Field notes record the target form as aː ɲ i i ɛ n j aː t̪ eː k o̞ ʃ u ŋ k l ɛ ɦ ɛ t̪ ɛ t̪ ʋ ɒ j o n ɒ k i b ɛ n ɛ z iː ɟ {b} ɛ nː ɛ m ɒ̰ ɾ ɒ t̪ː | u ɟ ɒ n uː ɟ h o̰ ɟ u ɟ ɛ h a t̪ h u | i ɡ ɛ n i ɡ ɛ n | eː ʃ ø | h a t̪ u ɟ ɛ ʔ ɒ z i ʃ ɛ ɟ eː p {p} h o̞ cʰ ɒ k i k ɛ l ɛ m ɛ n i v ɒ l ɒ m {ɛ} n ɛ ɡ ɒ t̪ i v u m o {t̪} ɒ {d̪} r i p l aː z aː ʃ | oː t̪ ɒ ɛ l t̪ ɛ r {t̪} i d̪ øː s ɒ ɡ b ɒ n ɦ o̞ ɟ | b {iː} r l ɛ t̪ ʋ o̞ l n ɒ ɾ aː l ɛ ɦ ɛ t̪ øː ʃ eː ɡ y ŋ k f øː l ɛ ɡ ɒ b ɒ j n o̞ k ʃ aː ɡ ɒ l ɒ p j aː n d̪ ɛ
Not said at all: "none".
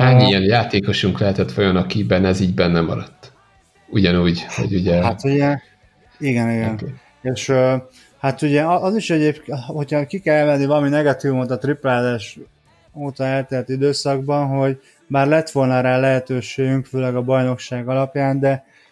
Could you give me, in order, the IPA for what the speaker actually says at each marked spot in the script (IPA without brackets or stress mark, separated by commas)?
b, k, i, t̪, t̪, t̪, aː